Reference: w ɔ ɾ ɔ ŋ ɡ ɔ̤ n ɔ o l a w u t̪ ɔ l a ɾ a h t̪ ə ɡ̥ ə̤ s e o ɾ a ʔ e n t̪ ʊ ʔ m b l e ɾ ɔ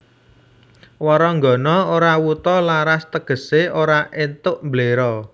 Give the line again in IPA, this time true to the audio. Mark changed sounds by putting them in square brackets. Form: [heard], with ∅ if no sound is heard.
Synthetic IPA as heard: w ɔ ɾ ɔ ŋ ɡ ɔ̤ n ɔ o [ɾ] a w u t̪ ɔ l a ɾ a [s] t̪ ə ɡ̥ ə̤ s e o ɾ a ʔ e n t̪ ʊ ʔ m b l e ɾ ɔ